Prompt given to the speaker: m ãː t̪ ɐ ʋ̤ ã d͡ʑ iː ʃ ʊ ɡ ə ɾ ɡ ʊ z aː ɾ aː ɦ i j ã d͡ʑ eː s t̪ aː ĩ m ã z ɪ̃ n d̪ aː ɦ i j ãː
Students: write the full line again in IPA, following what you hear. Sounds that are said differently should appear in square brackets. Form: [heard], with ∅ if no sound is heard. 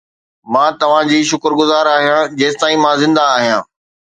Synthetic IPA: m ãː t̪ ɐ ʋ̤ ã d͡ʑ iː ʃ ʊ [k] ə ɾ ɡ ʊ z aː ɾ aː ɦ i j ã d͡ʑ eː s t̪ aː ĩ m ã z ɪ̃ n d̪ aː ɦ i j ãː